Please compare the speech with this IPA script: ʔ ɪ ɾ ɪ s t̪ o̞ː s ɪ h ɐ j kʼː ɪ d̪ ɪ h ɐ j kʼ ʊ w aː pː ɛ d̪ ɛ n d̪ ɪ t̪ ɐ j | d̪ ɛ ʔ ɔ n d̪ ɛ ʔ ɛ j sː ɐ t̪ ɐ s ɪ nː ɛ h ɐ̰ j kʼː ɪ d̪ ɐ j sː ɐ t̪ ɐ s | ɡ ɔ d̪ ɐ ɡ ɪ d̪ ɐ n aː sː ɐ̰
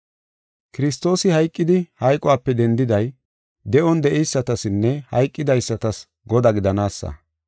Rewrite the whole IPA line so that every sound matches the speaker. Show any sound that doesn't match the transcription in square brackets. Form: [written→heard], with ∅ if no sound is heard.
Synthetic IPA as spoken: [ʔ→k] ɪ ɾ ɪ s t̪ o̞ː s ɪ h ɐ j kʼː ɪ d̪ ɪ h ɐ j kʼ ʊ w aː pː ɛ d̪ ɛ n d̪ ɪ [t̪→d̪] ɐ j | d̪ ɛ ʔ ɔ n d̪ ɛ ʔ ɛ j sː ɐ t̪ ɐ s ɪ nː ɛ h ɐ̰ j kʼː ɪ d̪ ɐ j sː ɐ t̪ ɐ s | ɡ ɔ d̪ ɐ ɡ ɪ d̪ ɐ n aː sː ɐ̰